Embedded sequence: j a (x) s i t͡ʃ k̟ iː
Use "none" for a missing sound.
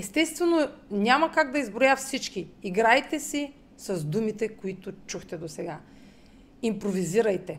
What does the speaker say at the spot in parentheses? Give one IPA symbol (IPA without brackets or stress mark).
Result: f